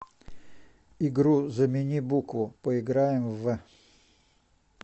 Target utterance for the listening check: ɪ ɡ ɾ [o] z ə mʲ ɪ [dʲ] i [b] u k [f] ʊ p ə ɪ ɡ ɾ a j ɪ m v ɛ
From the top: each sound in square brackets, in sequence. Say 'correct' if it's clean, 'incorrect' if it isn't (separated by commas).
incorrect, incorrect, correct, incorrect